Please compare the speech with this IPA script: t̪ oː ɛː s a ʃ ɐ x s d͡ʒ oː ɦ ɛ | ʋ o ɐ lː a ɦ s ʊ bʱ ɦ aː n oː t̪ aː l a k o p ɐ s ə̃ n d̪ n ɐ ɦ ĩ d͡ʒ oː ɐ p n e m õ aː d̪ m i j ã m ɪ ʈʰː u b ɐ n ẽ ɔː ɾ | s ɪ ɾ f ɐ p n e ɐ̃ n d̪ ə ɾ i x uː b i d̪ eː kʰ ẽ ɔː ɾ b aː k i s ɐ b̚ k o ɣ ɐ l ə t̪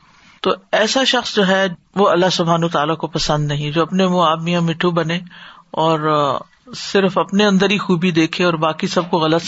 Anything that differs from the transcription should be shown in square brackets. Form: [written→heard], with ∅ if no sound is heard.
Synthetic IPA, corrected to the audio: t̪ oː ɛː s a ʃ ɐ x s d͡ʒ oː ɦ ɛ | ʋ o ɐ lː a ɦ s ʊ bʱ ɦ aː n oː t̪ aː l a k o p ɐ s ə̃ n d̪ n ɐ ɦ ĩ d͡ʒ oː ɐ p n e m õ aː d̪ m i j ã m ɪ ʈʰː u b ɐ n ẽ ɔː ɾ | s ɪ ɾ f ɐ p n e ɐ̃ n d̪ ə ɾ i x uː b i d̪ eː kʰ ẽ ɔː ɾ b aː k i s ɐ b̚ k o ɣ ɐ l ə t̪